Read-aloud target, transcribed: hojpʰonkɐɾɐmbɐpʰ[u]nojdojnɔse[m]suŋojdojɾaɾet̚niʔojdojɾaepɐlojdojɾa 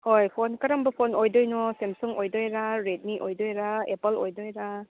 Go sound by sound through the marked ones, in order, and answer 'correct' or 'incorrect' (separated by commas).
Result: incorrect, correct